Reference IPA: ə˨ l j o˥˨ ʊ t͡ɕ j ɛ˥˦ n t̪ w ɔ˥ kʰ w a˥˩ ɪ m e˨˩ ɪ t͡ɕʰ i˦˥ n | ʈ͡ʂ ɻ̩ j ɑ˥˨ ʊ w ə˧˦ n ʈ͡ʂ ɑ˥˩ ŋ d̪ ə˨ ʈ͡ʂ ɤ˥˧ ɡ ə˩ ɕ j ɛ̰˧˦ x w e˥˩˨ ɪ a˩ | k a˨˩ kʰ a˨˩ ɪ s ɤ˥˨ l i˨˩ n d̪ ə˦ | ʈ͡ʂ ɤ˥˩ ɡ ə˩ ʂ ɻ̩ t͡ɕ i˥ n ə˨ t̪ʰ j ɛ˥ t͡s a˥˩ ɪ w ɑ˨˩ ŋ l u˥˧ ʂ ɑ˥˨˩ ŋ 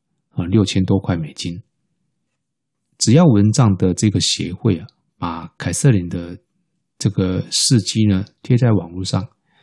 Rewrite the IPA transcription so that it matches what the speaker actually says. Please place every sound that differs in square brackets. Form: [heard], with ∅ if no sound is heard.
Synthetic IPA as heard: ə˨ l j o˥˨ ʊ [t͡ɕʰ] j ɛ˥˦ n t̪ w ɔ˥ kʰ w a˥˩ ɪ m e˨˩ ɪ [t͡ɕ] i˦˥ n | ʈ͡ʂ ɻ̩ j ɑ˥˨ ʊ w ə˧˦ n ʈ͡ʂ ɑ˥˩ ŋ d̪ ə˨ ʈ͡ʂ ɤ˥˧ ɡ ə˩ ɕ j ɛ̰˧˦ x w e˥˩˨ ɪ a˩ | [p] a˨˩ kʰ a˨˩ ɪ s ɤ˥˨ l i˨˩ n d̪ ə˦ | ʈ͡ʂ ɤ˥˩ ɡ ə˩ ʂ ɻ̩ t͡ɕ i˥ n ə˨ t̪ʰ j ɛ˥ t͡s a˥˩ ɪ w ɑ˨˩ ŋ l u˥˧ ʂ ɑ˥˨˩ ŋ